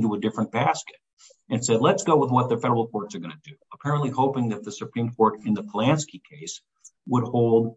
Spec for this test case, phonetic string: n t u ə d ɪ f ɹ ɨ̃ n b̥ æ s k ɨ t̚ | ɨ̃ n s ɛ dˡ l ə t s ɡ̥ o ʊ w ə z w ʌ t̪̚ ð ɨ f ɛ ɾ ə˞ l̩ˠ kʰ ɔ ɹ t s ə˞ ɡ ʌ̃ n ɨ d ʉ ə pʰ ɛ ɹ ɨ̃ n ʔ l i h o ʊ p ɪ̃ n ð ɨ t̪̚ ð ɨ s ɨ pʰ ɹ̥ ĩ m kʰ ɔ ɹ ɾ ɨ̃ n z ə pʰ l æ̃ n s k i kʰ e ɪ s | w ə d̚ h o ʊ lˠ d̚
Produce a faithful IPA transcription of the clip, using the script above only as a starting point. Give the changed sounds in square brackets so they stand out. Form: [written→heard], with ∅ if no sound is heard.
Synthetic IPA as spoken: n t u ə d ɪ f ɹ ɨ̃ n b̥ æ s k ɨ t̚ | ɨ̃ n s ɛ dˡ l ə t s ɡ̥ o ʊ w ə [z→ð] w ʌ t̪̚ ð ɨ f ɛ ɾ ə˞ l̩ˠ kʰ ɔ ɹ t s ə˞ ɡ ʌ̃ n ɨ d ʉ ə pʰ ɛ ɹ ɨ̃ n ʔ l i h o ʊ p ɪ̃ [n→ŋ] ð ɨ t̪̚ ð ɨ s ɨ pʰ ɹ̥ ĩ m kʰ ɔ ɹ ɾ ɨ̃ n [z→ð] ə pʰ l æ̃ n s k i kʰ e ɪ s | w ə d̚ h o ʊ lˠ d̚

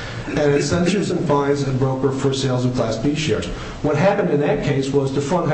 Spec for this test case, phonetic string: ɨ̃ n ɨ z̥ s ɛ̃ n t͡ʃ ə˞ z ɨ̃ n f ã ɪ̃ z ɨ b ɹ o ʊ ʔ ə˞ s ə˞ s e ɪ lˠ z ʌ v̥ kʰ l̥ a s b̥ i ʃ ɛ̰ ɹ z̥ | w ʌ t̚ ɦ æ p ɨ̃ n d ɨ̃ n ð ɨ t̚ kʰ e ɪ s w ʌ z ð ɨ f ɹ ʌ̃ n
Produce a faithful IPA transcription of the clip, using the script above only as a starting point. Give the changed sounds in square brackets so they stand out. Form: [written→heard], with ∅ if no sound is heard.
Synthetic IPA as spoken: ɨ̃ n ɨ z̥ s ɛ̃ n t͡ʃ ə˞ z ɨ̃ n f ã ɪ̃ z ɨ b ɹ o ʊ [ʔ→k] ə˞ [s→f] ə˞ s e ɪ lˠ z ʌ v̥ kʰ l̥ [a→æ] s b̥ i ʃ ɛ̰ ɹ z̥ | w ʌ t̚ ɦ æ p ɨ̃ n d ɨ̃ n ð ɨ t̚ kʰ e ɪ s w ʌ z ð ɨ f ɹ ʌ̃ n

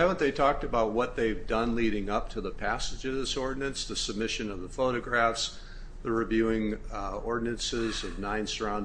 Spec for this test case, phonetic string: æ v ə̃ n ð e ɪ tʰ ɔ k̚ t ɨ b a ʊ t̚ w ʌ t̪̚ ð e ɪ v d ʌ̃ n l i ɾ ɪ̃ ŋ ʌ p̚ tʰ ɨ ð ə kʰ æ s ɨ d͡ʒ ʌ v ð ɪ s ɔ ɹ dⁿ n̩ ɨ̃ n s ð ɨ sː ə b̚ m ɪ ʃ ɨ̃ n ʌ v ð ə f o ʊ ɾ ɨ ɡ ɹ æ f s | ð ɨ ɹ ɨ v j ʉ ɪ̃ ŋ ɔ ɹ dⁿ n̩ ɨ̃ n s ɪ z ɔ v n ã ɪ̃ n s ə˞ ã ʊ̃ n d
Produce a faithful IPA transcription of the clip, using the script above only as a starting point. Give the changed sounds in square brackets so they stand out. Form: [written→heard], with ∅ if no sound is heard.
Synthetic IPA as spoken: æ v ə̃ n ð e ɪ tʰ ɔ k̚ t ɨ b a ʊ t̚ w ʌ t̪̚ ð e ɪ v d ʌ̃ n l i ɾ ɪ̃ ŋ ʌ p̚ tʰ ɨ ð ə [kʰ→pʰ] æ s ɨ d͡ʒ ʌ v ð ɪ s ɔ ɹ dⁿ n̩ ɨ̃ n s ð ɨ [sː→s] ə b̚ m ɪ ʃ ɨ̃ n ʌ v ð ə f o ʊ ɾ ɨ ɡ ɹ æ f s | ð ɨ ɹ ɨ v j ʉ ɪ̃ ŋ ɔ ɹ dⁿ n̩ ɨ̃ n s ɪ z [ɔ→ʌ] v n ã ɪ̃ n s ə˞ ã ʊ̃ n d

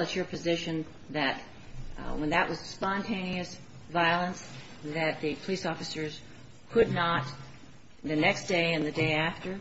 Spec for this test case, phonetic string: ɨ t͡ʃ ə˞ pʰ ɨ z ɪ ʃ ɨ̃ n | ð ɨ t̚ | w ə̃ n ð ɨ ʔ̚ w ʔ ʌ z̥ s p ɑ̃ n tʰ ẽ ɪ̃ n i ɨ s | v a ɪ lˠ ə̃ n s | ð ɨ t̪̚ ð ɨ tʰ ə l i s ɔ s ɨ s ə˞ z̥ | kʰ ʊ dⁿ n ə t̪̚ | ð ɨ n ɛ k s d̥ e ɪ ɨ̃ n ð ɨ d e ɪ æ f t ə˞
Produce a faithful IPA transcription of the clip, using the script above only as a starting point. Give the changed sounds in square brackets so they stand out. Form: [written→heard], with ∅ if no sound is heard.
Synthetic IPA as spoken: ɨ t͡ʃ ə˞ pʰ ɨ z ɪ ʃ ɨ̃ n | ð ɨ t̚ | w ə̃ n ð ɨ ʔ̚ w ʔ ʌ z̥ s p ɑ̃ n tʰ ẽ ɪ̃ n i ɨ s | v a ɪ lˠ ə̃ n s | ð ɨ t̪̚ ð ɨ [tʰ→pʰ] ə l i s ɔ [s→f] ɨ s ə˞ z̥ | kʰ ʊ dⁿ n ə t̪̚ | ð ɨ n ɛ k s d̥ e ɪ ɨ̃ n ð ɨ d e ɪ æ f t ə˞

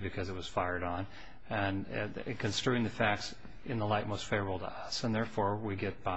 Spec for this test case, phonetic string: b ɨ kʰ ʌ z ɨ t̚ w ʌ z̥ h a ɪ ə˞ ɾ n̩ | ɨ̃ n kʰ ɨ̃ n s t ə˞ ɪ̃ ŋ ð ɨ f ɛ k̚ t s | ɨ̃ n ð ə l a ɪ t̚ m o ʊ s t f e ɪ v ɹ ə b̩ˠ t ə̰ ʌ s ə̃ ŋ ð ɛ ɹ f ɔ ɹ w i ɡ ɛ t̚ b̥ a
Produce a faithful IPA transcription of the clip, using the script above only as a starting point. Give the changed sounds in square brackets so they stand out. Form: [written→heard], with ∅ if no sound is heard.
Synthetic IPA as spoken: b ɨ kʰ ʌ z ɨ t̚ w ʌ z̥ [h→f] a ɪ ə˞ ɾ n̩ | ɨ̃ n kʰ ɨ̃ n s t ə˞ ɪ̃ ŋ ð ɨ f [ɛ→æ] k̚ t s | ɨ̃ n ð ə l a ɪ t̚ m o ʊ s t f e ɪ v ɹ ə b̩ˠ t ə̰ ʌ s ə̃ [ŋ→n] ð ɛ ɹ f ɔ ɹ w i ɡ ɛ t̚ b̥ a

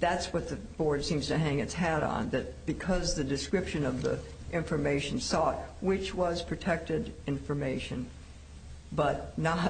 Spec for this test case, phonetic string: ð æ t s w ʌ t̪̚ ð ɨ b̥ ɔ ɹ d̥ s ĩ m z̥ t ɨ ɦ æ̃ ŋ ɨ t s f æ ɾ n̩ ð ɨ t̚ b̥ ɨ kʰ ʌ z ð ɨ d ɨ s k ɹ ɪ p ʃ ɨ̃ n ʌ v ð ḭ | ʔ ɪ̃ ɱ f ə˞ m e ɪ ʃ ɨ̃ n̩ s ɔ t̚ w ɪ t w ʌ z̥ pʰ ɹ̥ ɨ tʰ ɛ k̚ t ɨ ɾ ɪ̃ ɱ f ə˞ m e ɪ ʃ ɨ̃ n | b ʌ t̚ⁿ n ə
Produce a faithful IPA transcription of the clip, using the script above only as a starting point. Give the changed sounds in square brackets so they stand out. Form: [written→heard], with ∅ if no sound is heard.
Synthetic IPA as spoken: ð æ t s w ʌ t̪̚ ð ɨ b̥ ɔ ɹ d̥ s ĩ m z̥ t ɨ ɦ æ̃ ŋ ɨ t s [f→h] æ ɾ n̩ ð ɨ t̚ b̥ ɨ kʰ ʌ z ð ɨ d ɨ s k ɹ ɪ p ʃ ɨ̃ n ʌ v ð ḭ | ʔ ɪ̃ ɱ f ə˞ m e ɪ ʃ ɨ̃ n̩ s ɔ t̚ w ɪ [t→t͡ʃ] w ʌ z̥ pʰ ɹ̥ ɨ tʰ ɛ k̚ t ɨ ɾ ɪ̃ ɱ f ə˞ m e ɪ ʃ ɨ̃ n | b ʌ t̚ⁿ n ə

